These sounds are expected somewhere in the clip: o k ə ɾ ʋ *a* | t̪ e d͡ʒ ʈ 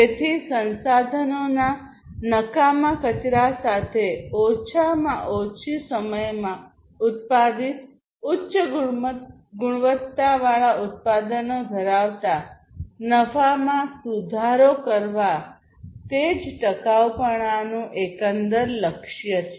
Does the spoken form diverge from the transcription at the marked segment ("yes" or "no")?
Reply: no